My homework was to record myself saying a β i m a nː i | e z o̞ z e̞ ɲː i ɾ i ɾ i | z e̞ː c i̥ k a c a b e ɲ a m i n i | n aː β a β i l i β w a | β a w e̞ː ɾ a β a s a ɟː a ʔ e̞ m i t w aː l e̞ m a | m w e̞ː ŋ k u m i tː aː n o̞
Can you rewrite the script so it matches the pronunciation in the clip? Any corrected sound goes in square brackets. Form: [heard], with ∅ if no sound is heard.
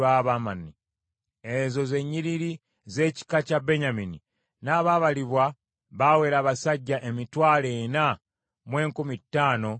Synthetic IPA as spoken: a β [a] m a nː i | e z o̞ z e̞ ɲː i ɾ i ɾ i | z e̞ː c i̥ k a c a b e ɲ a m i n i | n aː β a β [a] l i β w a | β a w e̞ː ɾ a β a s a ɟː a ʔ e̞ m i t w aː l e̞ [n] a | m w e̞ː ŋ k u m i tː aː n o̞